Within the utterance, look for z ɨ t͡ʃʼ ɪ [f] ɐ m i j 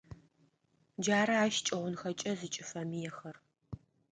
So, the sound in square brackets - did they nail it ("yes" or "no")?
yes